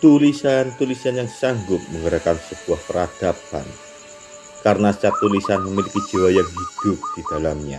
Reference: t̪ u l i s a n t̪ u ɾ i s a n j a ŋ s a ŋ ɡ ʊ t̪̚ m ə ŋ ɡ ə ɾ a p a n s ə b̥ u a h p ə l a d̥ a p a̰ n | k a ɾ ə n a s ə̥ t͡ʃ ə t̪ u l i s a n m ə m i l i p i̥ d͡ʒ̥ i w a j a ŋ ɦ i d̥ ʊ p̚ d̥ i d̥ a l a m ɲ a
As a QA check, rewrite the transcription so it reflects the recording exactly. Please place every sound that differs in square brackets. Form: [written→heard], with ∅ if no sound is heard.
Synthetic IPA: t̪ u l i s a n t̪ u [ɾ→l] i s a n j a ŋ s a ŋ ɡ ʊ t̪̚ m ə ŋ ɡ ə ɾ a [p→k] a n s ə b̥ u a h p ə [l→ɾ] a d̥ a p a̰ n | k a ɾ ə n a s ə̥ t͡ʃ [ə→a] t̪ u l i s a n m ə m i l i [p→k] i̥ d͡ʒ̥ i w a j a ŋ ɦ i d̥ ʊ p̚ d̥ i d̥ a l a m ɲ a